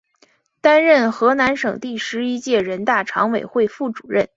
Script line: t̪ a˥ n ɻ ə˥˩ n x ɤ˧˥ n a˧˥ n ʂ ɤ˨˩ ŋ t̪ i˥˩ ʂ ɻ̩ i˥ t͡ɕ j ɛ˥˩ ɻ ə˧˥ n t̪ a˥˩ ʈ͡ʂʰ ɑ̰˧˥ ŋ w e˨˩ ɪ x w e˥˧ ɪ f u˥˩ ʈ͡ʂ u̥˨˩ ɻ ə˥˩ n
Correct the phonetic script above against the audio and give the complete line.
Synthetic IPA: t̪ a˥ n ɻ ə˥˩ n x ɤ˧˥ n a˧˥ n ʂ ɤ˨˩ ŋ t̪ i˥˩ ʂ ɻ̩ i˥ t͡ɕ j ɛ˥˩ ɻ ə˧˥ n t̪ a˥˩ ʈ͡ʂʰ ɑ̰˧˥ ŋ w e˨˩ ɪ x w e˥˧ ɪ f u˥˩ ʈ͡ʂ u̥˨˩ ɻ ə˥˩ n